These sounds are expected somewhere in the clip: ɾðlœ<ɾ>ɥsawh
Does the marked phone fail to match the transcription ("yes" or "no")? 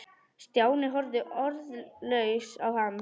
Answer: yes